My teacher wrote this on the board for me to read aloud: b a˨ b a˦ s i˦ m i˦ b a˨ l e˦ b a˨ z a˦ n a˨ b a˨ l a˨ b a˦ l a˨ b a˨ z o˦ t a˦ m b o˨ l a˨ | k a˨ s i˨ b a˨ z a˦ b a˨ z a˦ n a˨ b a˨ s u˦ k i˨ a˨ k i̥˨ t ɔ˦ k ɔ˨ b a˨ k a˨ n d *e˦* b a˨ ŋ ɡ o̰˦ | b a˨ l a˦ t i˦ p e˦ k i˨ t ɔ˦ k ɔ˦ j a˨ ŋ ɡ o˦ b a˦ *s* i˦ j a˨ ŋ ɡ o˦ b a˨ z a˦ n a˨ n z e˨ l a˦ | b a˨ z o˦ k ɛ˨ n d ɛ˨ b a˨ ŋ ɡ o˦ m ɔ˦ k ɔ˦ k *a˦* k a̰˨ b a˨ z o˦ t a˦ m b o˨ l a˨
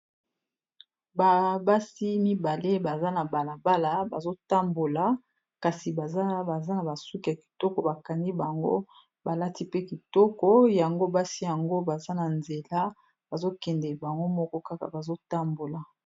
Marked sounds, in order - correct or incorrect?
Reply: incorrect, correct, correct

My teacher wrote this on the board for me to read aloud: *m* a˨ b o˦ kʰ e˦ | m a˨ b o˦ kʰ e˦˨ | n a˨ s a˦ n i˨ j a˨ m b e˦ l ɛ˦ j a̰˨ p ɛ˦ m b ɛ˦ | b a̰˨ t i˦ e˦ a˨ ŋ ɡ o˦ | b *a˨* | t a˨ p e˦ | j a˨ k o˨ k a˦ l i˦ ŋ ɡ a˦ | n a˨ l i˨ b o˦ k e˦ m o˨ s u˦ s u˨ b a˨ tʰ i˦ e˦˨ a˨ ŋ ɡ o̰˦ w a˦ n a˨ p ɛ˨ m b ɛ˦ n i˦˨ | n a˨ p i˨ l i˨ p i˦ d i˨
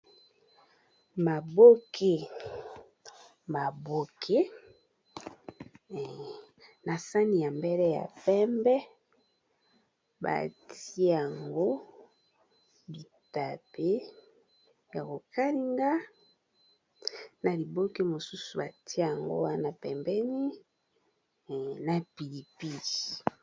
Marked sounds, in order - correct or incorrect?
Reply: correct, incorrect

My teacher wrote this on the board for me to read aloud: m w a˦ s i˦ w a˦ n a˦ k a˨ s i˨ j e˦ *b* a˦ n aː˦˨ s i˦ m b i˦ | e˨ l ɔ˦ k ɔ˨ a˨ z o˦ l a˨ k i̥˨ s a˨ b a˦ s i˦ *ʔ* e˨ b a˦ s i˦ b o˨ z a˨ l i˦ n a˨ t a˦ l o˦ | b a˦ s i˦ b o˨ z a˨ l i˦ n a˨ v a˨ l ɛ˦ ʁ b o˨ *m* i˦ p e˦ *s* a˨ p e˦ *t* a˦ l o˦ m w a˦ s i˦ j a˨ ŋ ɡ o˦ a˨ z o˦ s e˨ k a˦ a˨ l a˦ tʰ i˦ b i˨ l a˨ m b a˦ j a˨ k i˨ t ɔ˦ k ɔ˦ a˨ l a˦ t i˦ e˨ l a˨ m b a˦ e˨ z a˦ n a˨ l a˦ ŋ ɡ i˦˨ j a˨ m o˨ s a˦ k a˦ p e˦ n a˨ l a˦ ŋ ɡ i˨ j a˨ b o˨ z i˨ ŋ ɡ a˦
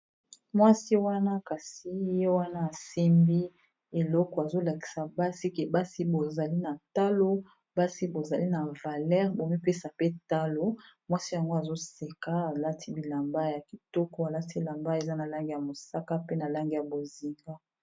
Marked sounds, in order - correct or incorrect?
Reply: incorrect, incorrect, correct, correct, correct

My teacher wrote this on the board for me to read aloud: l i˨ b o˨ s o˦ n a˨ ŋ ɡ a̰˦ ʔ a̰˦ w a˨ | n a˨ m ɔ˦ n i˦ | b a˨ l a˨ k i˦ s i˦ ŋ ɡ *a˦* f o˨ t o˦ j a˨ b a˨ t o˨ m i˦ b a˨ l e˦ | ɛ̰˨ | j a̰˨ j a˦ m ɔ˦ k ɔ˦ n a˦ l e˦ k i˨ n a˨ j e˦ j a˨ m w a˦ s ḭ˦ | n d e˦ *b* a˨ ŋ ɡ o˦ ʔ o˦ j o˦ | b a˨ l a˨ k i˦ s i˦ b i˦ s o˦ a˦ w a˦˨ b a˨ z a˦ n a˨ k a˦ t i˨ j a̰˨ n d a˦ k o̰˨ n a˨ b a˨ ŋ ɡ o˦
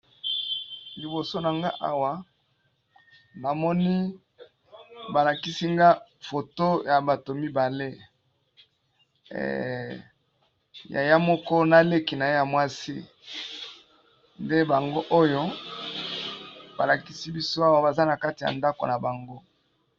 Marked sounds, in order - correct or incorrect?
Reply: correct, correct

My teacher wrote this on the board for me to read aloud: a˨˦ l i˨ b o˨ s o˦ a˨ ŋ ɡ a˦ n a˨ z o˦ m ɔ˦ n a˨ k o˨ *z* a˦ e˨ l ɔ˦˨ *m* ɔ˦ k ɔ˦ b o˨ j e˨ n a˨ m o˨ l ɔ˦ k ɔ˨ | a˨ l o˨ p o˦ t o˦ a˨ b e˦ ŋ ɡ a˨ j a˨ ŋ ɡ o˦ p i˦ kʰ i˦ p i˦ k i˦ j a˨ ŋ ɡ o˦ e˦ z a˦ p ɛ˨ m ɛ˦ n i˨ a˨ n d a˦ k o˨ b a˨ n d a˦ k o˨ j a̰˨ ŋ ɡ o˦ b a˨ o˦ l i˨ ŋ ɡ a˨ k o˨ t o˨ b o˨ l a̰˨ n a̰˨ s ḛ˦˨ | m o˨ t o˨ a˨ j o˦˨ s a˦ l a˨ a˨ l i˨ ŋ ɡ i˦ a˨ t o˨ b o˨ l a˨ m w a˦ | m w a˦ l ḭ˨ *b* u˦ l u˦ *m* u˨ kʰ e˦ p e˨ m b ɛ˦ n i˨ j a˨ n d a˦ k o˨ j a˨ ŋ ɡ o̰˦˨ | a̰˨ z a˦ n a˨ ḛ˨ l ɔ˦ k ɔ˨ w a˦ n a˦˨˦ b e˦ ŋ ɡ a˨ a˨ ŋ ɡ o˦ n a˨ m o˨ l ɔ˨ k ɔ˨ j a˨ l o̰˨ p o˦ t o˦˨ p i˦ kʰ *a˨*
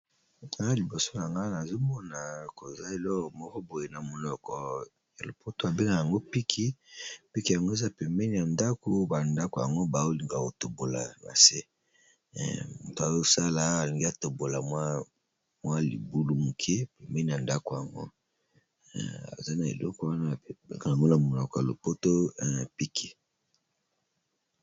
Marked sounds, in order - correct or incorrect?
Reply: correct, correct, correct, correct, incorrect

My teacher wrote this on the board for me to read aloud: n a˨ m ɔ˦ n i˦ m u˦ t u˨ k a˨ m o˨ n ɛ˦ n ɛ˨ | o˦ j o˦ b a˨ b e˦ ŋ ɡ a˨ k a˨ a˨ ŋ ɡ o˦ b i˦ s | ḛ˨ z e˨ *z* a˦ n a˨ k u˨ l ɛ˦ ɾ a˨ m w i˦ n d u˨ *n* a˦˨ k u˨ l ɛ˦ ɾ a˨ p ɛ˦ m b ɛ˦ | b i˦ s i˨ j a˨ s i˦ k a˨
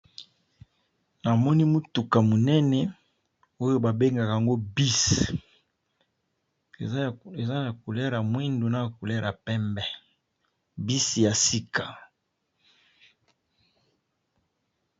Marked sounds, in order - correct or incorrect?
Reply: correct, correct

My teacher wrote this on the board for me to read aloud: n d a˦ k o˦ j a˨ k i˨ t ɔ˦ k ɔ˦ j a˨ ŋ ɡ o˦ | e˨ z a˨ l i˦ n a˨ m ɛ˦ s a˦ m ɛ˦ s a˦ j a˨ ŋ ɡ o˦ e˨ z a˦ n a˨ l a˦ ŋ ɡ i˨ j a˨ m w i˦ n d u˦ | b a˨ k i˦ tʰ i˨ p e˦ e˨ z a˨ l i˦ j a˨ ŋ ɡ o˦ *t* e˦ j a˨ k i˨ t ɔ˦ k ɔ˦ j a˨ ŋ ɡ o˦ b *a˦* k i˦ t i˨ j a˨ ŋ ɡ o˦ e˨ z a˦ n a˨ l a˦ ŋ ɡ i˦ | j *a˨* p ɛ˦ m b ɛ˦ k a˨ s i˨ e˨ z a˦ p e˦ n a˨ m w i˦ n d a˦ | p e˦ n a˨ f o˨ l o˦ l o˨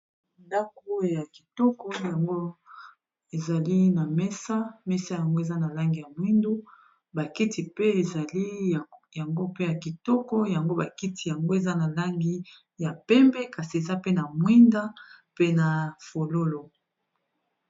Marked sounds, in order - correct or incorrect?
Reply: incorrect, incorrect, correct

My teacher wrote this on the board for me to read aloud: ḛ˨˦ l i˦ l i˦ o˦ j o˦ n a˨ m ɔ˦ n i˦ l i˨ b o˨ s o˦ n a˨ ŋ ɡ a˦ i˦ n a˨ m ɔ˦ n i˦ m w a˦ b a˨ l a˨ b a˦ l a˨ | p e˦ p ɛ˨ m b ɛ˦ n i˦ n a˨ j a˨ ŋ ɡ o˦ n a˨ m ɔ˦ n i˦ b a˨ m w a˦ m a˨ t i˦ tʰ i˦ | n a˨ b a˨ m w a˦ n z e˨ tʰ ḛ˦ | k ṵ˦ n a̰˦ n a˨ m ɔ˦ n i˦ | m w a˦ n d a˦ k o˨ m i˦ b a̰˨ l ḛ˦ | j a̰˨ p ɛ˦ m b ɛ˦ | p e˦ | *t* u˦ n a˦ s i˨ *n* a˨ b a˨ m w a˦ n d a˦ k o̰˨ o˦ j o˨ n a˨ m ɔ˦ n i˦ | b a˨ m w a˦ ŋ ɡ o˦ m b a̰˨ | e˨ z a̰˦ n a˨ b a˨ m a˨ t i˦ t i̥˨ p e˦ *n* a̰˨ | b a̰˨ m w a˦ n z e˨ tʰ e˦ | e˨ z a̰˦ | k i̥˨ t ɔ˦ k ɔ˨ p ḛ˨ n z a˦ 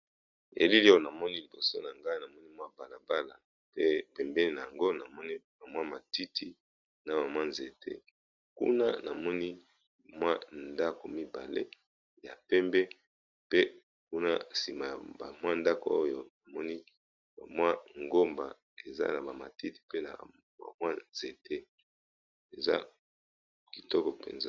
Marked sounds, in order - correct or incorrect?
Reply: incorrect, incorrect, correct

